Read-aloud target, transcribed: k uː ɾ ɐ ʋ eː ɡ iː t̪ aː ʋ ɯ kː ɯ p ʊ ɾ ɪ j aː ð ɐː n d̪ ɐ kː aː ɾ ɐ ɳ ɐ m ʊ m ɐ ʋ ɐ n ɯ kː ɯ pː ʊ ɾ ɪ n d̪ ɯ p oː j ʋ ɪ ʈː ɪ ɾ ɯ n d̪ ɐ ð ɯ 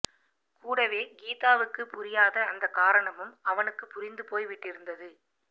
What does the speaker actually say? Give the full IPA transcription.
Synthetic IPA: k uː ɽ ɐ ʋ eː ɡ iː t̪ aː ʋ ɯ kː ɯ p ʊ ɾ ɪ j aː ð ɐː n d̪ ɐ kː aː ɾ ɐ ɳ ɐ m ɯ m ɐ ʋ ɐ n ɯ kː ɯ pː ʊ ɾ ɪ n d̪ ɯ p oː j ʋ ɪ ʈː ɪ ɾ ɯ n d̪ ɐ ð ɯ